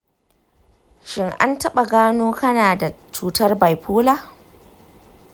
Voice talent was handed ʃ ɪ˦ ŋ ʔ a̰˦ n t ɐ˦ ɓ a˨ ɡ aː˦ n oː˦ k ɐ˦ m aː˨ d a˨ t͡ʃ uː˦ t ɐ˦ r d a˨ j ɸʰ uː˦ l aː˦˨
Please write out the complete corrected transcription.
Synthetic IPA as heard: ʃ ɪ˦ ŋ ʔ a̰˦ n t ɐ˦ ɓ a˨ ɡ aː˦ n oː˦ k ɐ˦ n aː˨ d a˨ t͡ʃ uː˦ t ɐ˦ r b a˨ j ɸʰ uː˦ l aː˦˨